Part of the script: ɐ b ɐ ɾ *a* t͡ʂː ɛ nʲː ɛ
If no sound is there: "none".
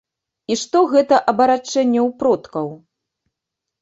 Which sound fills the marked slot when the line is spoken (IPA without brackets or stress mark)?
a